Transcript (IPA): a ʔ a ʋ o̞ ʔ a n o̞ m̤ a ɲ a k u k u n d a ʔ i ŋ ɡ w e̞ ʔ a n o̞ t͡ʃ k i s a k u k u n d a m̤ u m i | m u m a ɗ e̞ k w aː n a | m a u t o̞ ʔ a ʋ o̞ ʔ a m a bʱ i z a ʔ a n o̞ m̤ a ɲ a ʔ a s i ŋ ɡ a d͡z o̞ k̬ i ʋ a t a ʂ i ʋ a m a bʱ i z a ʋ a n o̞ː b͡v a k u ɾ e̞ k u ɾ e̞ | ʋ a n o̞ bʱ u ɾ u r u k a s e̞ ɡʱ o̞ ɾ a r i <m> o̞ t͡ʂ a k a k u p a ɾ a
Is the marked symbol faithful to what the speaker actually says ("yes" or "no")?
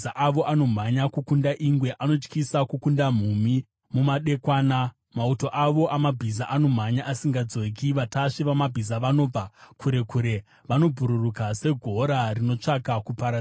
no